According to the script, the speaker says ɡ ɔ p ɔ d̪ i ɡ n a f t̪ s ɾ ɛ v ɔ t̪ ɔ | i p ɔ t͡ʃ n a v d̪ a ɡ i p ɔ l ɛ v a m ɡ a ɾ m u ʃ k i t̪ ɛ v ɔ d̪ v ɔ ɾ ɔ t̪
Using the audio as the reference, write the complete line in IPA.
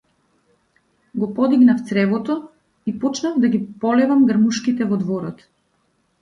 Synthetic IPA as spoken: ɡ ɔ p ɔ d̪ i ɡ n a f t̪ s ɾ ɛ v ɔ t̪ ɔ | i p ɔ t͡ʃ n a v d̪ a ɡ i p ɔ l ɛ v a m ɡ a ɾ m u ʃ k i t̪ ɛ v ɔ d̪ v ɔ ɾ ɔ t̪